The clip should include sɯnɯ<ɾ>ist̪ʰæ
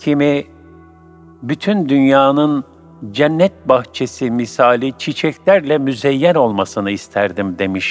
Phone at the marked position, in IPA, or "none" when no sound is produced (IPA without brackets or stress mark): none